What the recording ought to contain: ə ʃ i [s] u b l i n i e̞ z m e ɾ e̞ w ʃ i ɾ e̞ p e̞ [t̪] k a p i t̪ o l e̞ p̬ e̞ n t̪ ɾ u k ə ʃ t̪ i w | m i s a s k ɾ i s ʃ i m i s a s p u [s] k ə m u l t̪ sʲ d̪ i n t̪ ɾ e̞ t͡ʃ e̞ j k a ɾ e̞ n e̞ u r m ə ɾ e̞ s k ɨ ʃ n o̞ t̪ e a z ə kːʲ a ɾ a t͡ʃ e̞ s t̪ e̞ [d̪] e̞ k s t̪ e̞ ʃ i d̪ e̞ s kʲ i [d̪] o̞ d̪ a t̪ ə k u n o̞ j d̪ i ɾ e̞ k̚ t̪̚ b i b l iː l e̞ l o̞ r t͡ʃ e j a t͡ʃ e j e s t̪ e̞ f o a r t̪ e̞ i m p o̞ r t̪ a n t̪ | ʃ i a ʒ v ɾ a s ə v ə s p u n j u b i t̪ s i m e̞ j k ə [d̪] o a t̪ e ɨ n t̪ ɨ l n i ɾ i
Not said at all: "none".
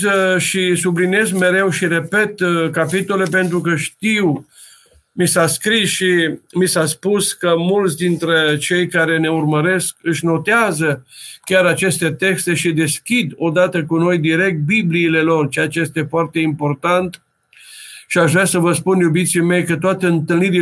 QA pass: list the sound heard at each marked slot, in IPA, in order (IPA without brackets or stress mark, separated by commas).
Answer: s, t̪, s, t̪, d̪, t̪